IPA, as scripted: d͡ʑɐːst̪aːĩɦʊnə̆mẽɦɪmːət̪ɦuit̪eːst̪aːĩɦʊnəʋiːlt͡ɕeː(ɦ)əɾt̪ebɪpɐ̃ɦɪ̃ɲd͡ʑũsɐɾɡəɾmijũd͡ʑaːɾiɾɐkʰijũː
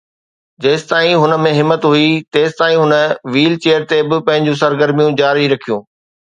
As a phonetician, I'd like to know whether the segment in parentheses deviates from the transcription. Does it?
yes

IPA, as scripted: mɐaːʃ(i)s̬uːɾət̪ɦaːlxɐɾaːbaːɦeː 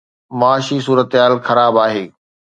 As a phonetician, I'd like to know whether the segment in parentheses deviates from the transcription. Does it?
no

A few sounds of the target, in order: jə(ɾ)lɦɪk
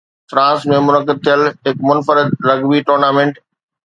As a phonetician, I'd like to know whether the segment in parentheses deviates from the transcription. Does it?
yes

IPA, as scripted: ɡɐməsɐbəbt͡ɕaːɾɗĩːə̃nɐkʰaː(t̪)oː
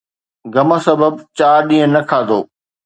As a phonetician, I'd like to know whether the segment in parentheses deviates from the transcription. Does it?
yes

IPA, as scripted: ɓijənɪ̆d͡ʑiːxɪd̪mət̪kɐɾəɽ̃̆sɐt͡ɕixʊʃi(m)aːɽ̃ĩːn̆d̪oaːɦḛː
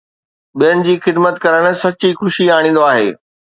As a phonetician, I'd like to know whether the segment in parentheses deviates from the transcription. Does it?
yes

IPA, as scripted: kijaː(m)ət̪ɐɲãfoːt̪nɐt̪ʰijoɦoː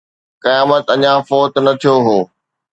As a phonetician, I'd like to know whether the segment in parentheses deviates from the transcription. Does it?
no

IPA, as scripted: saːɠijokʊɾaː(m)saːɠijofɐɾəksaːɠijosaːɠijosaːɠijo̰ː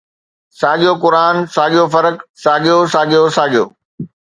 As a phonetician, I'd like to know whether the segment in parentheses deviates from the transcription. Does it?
yes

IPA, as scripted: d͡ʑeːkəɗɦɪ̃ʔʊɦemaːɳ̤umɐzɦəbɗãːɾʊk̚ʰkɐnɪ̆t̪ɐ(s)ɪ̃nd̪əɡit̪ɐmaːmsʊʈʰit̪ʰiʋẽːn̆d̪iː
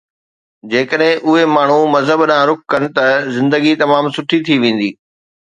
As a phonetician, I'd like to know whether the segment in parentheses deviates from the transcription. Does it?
yes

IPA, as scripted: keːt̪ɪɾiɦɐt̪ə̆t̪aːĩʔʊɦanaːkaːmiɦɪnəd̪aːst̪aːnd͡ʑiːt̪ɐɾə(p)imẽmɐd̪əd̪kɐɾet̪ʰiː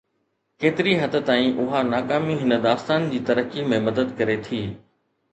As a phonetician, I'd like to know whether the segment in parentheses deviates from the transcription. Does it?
yes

